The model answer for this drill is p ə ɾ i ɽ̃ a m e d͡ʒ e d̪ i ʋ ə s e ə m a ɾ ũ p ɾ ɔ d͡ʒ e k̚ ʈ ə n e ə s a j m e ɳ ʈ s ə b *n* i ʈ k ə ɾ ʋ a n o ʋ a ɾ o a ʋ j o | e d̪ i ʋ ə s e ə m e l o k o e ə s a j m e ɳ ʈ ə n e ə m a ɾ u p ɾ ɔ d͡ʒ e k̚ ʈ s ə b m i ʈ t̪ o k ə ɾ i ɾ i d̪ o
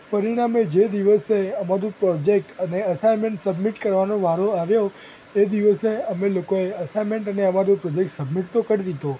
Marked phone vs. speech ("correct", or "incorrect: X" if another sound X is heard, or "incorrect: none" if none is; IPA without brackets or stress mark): incorrect: m